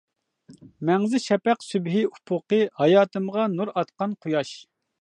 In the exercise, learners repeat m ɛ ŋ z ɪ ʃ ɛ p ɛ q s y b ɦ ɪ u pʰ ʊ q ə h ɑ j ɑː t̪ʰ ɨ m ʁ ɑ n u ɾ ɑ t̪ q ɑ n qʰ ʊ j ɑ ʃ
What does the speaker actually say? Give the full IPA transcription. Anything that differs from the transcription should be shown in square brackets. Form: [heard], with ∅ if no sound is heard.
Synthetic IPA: m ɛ ŋ z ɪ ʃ ɛ p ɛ q s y b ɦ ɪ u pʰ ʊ q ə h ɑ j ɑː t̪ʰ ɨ m ʁ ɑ n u ɾ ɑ t̪ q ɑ n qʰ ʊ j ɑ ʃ